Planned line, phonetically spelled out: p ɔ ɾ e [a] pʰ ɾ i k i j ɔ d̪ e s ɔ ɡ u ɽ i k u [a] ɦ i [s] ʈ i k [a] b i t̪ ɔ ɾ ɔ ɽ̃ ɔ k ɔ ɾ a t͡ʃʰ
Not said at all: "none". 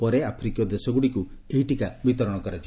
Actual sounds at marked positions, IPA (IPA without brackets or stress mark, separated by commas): a, e, none, a